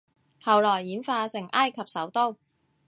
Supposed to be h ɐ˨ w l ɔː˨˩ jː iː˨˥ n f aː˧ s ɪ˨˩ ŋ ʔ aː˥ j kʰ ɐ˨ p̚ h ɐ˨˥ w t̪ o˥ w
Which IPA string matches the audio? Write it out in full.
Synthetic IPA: h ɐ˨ w l ɔː˨˩ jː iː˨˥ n f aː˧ s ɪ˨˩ ŋ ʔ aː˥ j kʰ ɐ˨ p̚ s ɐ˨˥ w t̪ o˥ w